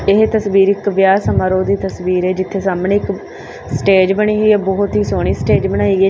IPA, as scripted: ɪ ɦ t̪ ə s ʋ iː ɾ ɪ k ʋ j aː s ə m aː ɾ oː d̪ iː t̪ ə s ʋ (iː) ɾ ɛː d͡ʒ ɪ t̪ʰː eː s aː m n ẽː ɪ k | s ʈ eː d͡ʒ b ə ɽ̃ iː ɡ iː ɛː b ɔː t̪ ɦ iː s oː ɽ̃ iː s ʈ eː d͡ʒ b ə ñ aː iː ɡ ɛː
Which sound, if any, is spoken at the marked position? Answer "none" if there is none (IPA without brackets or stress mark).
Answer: iː